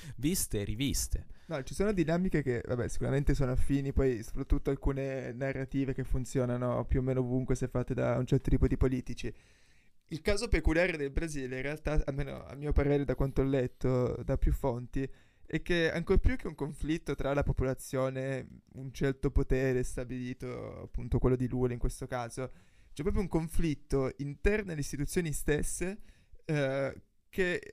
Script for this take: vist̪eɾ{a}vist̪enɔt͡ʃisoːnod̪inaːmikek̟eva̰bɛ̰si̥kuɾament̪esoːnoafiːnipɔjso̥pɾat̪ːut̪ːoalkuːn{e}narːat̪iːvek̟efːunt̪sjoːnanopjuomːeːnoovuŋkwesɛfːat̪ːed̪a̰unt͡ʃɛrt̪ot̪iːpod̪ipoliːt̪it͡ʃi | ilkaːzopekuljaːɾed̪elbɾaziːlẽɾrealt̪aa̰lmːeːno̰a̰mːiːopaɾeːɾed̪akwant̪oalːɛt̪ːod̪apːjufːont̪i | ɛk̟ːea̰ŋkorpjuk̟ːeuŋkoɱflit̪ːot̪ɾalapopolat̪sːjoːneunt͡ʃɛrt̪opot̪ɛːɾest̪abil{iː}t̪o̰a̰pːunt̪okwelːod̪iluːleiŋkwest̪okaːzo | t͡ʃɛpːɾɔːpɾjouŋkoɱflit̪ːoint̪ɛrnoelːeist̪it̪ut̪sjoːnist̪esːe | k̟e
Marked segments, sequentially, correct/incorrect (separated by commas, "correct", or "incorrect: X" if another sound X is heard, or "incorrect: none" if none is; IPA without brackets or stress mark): incorrect: i, correct, correct